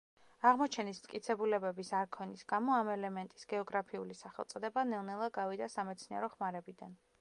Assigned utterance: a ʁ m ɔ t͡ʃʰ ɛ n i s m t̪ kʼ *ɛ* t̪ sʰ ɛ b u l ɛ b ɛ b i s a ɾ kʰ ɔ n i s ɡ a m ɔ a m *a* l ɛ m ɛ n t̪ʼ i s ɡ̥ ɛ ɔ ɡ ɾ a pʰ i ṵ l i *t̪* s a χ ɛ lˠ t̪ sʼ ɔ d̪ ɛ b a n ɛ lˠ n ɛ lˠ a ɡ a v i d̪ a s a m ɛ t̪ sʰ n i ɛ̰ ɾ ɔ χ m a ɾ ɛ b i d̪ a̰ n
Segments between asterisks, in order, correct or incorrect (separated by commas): incorrect, incorrect, incorrect